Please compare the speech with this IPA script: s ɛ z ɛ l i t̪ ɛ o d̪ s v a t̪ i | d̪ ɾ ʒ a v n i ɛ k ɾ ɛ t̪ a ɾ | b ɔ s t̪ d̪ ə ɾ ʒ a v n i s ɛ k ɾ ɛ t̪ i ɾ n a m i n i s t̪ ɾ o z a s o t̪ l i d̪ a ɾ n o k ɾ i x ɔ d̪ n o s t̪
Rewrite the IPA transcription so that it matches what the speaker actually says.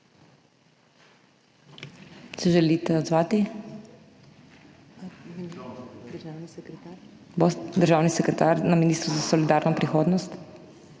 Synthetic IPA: s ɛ ʒ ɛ l i t̪ ɛ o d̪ z v a t̪ i | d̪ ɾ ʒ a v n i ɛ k ɾ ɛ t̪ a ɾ | b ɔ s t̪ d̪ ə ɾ ʒ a v n i s ɛ k ɾ ɛ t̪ a ɾ n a m i n i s t̪ ɾ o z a s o l i d̪ a ɾ n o p ɾ i x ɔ d̪ n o s t̪